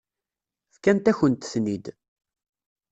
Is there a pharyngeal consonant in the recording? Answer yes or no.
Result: no